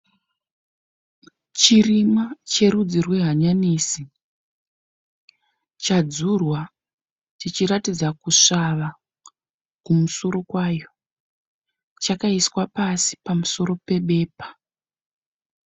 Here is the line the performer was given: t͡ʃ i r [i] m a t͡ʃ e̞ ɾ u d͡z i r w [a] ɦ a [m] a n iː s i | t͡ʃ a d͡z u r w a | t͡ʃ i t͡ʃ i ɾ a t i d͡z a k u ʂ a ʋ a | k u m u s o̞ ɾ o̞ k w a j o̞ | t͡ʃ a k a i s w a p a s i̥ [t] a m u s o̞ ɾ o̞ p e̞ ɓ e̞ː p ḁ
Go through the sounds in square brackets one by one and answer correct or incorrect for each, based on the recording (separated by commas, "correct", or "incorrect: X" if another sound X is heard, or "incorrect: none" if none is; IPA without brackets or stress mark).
correct, incorrect: e, incorrect: ɲ, incorrect: p